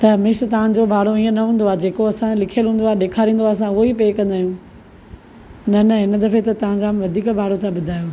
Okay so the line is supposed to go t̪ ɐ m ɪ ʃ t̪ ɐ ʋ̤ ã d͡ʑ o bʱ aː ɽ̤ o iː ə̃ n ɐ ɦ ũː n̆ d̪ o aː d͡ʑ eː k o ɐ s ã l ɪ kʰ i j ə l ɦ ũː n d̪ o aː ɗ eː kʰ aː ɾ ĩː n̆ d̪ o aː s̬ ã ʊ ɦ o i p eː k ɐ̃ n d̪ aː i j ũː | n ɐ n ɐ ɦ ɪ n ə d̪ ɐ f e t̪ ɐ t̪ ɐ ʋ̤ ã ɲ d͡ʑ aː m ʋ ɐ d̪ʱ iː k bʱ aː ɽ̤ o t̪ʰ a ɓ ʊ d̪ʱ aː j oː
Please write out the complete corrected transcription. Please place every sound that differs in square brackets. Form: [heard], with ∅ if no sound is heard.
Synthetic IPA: t̪ ɐ m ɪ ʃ t̪ ɐ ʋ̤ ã d͡ʑ o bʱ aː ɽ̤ o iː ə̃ n ɐ ɦ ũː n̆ d̪ o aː d͡ʑ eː k o ɐ s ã l ɪ kʰ i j ə l ɦ ũː n d̪ o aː ɗ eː kʰ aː ɾ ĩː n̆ d̪ o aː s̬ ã ʊ ɦ o i p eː k ɐ̃ n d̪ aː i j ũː | n ɐ n ɐ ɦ ɪ n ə d̪ ɐ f e t̪ ɐ t̪ ɐ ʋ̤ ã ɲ d͡ʑ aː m ʋ ɐ d̪ʱ iː k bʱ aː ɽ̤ o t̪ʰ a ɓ ʊ d̪ʱ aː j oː

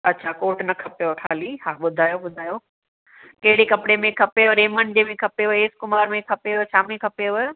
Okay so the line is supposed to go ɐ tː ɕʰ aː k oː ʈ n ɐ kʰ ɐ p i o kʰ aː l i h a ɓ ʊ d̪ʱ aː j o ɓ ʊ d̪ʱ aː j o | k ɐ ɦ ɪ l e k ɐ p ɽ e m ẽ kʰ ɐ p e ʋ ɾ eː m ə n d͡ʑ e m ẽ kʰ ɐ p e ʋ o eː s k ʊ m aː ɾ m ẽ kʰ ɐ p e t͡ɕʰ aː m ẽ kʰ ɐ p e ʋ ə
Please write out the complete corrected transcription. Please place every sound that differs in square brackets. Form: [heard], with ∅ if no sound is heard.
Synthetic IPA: ɐ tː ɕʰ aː k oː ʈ n ɐ kʰ ɐ p [j] o kʰ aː l i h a ɓ ʊ d̪ʱ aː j o ɓ ʊ d̪ʱ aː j o | k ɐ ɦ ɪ [ɽ] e k ɐ p ɽ e m ẽ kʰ ɐ p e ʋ ɾ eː m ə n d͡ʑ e m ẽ kʰ ɐ p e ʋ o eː s k ʊ m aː ɾ m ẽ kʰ ɐ p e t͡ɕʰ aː m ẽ kʰ ɐ p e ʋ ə

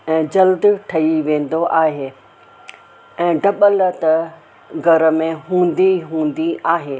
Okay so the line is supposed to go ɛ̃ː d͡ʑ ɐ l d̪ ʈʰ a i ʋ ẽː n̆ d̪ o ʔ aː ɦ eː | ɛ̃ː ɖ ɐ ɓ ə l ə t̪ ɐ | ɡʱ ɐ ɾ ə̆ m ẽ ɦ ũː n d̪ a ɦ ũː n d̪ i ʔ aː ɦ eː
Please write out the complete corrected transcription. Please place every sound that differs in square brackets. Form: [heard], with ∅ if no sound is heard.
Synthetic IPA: ɛ̃ː d͡ʑ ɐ l d̪ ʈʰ [ɐ] i ʋ ẽː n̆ d̪ o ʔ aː ɦ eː | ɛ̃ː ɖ ɐ ɓ ə l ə t̪ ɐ | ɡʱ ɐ ɾ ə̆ m ẽ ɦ ũː n d̪ [i] ɦ ũː n d̪ i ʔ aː ɦ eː

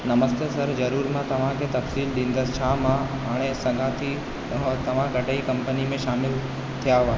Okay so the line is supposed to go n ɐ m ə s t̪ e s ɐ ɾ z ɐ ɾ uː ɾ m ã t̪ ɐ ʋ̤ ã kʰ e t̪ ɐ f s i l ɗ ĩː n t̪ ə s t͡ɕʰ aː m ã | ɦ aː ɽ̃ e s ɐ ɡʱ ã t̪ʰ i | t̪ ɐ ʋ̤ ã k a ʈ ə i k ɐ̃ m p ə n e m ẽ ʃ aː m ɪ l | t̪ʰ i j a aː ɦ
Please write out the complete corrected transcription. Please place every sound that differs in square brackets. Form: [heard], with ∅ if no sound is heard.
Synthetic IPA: n ɐ m ə s t̪ e s ɐ ɾ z ɐ ɾ uː ɾ m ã t̪ ɐ ʋ̤ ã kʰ e t̪ ɐ f s [iː] l ɗ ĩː n [d̪] ə s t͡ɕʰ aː m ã | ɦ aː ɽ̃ e s ɐ ɡʱ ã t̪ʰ i | t̪ ɐ ʋ̤ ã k [ɐ] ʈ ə i k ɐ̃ m p ə n [i] m ẽ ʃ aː m ɪ l | t̪ʰ i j a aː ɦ

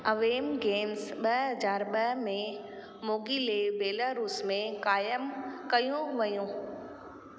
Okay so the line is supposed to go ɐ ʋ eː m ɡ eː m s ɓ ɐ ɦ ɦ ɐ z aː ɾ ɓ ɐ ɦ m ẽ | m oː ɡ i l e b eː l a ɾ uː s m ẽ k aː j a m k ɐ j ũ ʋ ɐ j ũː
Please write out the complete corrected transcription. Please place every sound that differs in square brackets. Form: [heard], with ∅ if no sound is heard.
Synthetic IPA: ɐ ʋ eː m ɡ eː m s ɓ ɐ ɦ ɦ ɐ z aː ɾ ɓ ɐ ɦ m ẽ | m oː ɡ i l e b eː l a ɾ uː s m ẽ k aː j [ə] m k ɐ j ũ ʋ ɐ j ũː

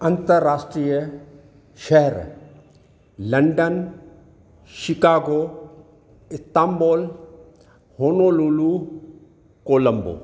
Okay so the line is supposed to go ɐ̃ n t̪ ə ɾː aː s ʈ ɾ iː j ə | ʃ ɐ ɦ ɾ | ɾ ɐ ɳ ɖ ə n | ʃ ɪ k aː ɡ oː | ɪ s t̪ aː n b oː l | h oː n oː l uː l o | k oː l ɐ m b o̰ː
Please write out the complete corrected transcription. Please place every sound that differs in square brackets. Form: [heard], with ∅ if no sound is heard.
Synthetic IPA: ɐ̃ n t̪ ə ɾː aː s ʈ ɾ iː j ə | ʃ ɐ ɦ ɾ | [l] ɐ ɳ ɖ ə n | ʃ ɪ k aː ɡ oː | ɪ s t̪ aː [m] b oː l | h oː n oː l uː l [u] | k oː l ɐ m b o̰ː

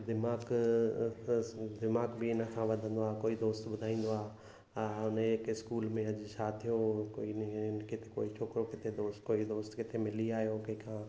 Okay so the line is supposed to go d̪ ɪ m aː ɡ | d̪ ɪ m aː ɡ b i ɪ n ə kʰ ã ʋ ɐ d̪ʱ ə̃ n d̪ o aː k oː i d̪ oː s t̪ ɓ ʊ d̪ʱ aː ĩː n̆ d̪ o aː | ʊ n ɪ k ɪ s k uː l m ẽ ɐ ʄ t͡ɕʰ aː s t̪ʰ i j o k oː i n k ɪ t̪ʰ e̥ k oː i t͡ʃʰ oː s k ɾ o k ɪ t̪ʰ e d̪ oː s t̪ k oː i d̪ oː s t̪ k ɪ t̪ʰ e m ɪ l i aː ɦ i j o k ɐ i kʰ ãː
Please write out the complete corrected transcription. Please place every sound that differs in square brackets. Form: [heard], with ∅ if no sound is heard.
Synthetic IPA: d̪ ɪ m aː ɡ | d̪ ɪ m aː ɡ b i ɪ n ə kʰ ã ʋ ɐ d̪ʱ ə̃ n d̪ o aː k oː i d̪ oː s t̪ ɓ ʊ d̪ʱ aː ĩː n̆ d̪ o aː | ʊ n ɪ k ɪ s k uː l m ẽ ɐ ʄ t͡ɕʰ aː [∅] t̪ʰ i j o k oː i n k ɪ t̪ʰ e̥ k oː i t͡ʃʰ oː [∅] k ɾ o k ɪ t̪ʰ e d̪ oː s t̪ k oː i d̪ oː s t̪ k ɪ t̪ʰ e m ɪ l i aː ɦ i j o k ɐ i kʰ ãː

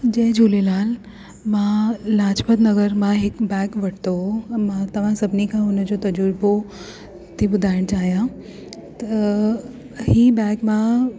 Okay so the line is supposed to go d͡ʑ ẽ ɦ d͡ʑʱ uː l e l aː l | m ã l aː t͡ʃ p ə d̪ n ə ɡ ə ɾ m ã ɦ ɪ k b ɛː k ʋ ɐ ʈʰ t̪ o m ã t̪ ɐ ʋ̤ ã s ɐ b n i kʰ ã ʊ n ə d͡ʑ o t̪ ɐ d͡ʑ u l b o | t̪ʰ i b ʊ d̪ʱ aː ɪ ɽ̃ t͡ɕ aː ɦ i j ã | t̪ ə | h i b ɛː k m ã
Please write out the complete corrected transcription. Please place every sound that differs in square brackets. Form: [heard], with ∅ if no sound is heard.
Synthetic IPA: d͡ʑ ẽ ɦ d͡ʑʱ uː l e l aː l | m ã l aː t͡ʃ p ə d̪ n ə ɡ ə ɾ m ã ɦ ɪ k b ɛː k ʋ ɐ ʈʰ t̪ o m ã t̪ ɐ ʋ̤ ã s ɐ b n i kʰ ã ʊ n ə d͡ʑ o t̪ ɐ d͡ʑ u [ɾ] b o | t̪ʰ i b ʊ d̪ʱ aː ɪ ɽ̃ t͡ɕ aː ɦ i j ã | t̪ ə | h i b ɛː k m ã

